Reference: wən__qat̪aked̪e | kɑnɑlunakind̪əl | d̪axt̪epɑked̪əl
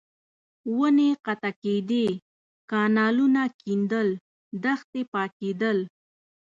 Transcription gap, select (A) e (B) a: A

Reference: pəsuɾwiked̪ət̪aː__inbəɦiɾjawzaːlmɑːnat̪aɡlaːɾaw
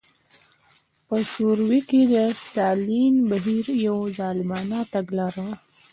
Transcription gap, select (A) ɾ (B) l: B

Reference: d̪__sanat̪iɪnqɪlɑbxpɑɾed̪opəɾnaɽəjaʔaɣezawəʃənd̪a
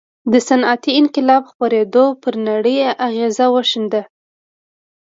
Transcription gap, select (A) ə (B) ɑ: A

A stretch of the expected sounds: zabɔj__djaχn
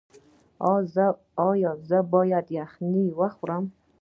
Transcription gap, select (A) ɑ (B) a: B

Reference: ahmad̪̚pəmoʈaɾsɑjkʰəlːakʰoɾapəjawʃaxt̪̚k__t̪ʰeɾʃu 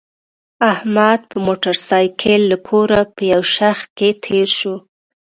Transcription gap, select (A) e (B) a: A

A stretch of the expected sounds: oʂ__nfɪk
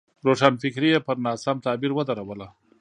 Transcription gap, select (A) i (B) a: B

